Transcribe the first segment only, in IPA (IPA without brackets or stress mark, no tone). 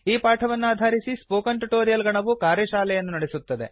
iː